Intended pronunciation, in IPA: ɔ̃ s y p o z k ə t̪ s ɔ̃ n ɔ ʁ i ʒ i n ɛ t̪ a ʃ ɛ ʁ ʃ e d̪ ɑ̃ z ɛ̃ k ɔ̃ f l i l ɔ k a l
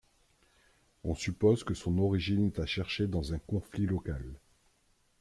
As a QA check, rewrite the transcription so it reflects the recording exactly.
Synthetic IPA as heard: ɔ̃ s y p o z k ə s ɔ̃ n ɔ ʁ i ʒ i n ɛ t̪ a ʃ ɛ ʁ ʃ e d̪ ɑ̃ z ɛ̃ k ɔ̃ f l i l ɔ k a l